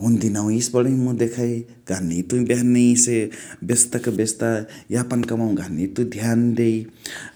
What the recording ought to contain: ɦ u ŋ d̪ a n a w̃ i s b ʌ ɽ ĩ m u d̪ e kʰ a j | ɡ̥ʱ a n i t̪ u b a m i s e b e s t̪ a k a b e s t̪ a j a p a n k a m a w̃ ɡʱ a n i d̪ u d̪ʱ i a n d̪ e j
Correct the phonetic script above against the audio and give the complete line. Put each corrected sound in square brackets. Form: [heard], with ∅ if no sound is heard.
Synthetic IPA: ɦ u [n] d̪ [i] n a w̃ i s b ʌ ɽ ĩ m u d̪ e kʰ a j | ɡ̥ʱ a n i t̪ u b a [n] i s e b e s t̪ a k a b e s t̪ a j a p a n k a m a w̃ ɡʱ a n i [t̪] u d̪ʱ [j] a n d̪ e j